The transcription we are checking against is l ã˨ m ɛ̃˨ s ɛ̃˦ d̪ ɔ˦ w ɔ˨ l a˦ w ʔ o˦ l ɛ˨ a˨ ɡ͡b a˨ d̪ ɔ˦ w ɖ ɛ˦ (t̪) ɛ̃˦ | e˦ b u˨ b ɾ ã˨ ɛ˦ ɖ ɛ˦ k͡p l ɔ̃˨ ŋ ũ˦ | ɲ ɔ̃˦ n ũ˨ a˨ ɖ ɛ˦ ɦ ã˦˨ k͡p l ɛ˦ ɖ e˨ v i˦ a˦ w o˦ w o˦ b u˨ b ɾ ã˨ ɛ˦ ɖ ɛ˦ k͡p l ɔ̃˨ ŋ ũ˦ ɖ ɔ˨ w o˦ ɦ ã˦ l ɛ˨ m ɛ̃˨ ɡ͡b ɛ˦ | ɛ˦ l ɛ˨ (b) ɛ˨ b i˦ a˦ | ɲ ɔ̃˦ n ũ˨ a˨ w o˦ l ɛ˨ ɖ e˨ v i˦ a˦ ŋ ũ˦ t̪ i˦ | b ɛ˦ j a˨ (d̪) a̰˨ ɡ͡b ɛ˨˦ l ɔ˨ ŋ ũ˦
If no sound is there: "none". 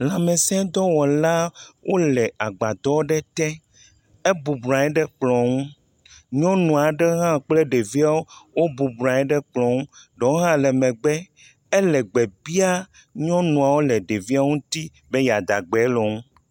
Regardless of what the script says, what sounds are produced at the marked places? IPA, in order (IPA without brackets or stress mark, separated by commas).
t̪, ɡ͡b, d̪